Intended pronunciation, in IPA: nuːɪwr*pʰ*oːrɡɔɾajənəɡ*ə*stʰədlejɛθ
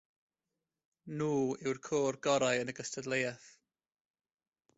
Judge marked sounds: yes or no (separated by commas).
no, yes